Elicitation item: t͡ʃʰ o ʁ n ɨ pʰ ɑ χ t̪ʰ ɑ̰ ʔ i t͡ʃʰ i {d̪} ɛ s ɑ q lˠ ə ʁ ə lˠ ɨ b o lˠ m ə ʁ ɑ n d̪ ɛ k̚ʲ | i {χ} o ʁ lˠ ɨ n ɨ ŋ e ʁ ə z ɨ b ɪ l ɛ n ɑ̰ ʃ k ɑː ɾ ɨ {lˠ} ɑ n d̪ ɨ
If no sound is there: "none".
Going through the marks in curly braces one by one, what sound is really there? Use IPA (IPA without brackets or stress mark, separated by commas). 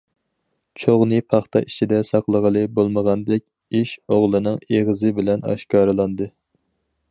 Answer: d̪, ʃ, lˠ